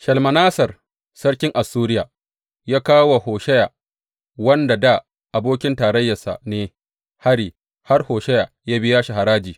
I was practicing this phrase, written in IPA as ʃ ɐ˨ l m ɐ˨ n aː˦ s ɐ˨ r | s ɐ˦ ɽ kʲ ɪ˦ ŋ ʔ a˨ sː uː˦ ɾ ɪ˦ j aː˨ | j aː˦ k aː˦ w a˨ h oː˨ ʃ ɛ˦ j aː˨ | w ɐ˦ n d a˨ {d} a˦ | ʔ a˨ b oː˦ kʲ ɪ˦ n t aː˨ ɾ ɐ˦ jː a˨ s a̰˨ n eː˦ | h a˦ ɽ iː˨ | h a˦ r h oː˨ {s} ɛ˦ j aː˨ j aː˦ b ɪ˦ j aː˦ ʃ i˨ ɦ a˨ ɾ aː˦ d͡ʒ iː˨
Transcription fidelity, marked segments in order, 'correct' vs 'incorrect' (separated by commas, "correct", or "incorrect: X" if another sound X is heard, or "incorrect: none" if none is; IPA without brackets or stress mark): correct, incorrect: ʃ